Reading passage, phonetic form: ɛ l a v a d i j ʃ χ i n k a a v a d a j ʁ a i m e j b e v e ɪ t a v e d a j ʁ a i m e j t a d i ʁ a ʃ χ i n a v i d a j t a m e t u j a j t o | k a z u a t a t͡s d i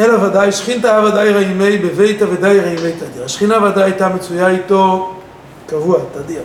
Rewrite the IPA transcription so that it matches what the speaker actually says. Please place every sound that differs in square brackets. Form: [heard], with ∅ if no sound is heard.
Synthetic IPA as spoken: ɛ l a v a d [a] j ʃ χ i n [t] a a v a d a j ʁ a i m e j b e v e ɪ t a v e d a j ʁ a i m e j t a d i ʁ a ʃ χ i n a v [a] d a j t a m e [t͡s] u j a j t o | k a [v] u a t a [∅] d i